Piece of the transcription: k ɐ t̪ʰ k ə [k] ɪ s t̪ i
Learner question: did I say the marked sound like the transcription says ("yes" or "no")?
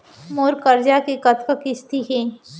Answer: yes